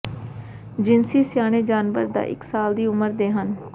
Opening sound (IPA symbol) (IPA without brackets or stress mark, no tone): d͡ʒ